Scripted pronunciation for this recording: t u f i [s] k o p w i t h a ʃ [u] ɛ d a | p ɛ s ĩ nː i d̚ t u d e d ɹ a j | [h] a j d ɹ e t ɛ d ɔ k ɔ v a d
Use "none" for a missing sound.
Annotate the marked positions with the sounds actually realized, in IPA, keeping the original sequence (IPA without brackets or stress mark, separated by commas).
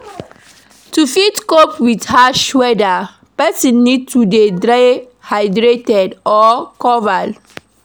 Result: t, w, h